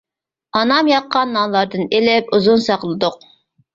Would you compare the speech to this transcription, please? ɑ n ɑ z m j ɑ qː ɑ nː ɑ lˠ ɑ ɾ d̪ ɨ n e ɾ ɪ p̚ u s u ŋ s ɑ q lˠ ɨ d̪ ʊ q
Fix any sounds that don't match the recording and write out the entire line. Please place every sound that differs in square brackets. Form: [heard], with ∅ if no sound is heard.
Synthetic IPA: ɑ n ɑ [∅] m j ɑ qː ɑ nː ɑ lˠ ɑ ɾ d̪ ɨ n e [l] ɪ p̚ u [z] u [n] s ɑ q lˠ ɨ d̪ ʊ q